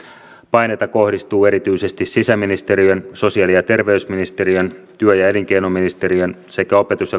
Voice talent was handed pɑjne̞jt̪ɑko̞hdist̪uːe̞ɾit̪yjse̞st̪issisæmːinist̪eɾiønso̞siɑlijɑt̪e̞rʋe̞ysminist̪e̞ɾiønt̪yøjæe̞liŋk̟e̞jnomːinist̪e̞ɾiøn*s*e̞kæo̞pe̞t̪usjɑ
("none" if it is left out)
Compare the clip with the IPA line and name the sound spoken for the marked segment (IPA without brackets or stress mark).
s